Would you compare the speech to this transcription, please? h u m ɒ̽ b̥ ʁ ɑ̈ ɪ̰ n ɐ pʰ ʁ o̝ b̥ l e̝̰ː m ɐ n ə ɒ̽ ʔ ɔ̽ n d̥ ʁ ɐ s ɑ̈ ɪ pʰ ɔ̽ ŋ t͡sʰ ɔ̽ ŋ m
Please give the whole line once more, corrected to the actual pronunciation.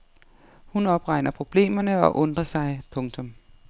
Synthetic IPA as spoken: h u n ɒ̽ b̥ ʁ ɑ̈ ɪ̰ n ɐ pʰ ʁ o̝ b̥ l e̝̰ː m ɐ n ə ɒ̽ ʔ ɔ̽ n d̥ ʁ ɐ s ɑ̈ ɪ pʰ ɔ̽ ŋ t͡sʰ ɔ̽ m